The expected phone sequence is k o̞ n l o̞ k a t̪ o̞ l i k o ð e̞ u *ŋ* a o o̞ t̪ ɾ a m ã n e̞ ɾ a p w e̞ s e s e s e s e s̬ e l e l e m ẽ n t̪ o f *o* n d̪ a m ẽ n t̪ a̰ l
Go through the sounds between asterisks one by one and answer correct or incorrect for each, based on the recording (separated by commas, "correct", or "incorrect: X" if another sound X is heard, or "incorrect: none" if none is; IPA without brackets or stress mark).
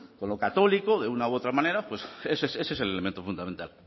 incorrect: n, incorrect: u